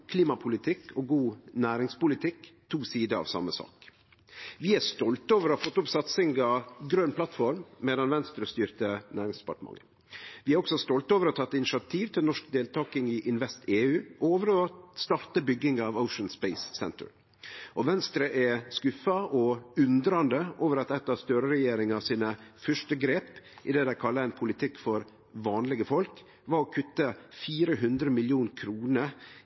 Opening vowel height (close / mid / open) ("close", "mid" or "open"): close